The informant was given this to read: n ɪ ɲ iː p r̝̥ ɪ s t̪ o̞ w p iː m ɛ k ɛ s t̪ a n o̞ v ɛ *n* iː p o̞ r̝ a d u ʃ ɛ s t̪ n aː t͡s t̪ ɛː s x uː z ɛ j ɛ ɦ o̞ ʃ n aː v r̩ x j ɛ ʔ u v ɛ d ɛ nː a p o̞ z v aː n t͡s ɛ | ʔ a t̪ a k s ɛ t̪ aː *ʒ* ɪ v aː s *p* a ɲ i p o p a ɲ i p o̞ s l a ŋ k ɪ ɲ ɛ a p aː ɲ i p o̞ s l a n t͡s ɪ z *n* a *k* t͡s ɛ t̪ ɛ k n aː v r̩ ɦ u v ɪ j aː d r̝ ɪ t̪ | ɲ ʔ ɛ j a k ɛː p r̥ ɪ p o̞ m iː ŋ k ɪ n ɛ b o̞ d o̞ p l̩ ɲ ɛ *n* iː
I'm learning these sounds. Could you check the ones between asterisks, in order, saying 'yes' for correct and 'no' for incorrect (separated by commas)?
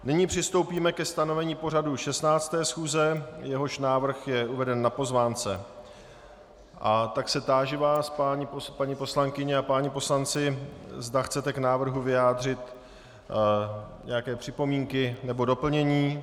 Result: no, yes, yes, no, no, no